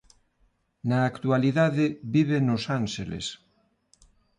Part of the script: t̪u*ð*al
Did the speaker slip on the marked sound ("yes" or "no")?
yes